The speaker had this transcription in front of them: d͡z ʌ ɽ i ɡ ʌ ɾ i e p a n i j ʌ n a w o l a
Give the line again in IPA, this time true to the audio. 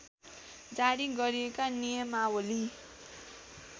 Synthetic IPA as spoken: d͡z a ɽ i ɡ ʌ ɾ i e k a n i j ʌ m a w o l i